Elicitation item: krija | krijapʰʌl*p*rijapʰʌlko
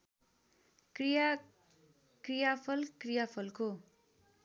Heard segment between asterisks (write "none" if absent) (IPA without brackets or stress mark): k